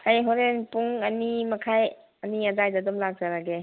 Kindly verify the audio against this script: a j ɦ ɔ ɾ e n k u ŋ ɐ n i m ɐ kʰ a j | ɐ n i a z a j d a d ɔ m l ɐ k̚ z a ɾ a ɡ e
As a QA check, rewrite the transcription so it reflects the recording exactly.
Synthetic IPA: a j ɦ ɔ ɾ e n p u ŋ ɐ n i m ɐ kʰ a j | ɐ n i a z a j d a d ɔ m l a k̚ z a ɾ a ɡ e